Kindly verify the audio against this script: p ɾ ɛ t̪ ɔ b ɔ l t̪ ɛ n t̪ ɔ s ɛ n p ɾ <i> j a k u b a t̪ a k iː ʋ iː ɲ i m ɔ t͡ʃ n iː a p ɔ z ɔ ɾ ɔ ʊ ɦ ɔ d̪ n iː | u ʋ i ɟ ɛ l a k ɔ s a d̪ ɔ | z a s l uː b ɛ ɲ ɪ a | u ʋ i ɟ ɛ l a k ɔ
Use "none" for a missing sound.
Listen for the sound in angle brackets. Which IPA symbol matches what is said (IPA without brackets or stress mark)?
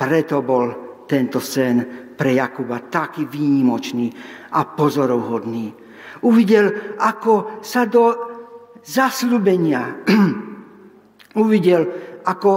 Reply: ɛ